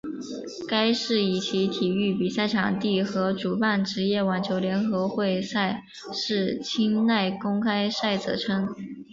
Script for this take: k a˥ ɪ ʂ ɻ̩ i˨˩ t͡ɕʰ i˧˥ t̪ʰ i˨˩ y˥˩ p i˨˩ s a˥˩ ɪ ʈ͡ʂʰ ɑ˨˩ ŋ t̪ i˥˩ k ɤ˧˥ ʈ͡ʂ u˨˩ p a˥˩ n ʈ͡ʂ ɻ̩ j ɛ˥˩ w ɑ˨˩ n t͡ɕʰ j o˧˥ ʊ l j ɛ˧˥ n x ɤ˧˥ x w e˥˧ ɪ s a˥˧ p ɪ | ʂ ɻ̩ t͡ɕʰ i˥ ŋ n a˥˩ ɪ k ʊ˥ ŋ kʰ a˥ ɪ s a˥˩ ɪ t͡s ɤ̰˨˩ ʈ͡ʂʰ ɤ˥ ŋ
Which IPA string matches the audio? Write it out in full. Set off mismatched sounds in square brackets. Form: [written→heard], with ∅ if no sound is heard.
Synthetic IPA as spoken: k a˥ ɪ ʂ ɻ̩ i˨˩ t͡ɕʰ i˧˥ t̪ʰ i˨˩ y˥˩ p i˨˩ s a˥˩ ɪ ʈ͡ʂʰ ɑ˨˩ ŋ t̪ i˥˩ [k→x] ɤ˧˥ ʈ͡ʂ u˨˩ p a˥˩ n ʈ͡ʂ ɻ̩ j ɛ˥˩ w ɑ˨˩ n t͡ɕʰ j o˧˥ ʊ l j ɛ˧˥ n x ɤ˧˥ x w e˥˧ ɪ s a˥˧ [p→∅] ɪ | ʂ ɻ̩ t͡ɕʰ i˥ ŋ n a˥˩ ɪ k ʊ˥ ŋ kʰ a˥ ɪ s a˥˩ ɪ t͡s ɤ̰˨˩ ʈ͡ʂʰ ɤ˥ ŋ